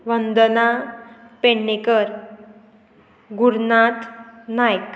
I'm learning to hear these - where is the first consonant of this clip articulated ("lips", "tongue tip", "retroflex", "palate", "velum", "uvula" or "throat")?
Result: lips